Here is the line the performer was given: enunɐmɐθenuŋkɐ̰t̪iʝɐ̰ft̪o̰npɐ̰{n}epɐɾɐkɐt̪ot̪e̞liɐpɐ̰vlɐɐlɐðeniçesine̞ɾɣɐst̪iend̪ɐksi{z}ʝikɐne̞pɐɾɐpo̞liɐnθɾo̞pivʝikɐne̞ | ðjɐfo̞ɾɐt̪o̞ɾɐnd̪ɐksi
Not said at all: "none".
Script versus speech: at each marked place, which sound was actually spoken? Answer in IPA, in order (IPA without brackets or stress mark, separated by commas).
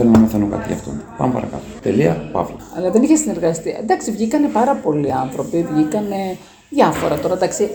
m, v